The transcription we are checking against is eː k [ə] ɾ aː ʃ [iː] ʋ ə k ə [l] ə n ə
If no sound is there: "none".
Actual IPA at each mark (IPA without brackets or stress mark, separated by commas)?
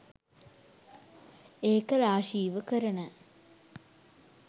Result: ə, iː, ɾ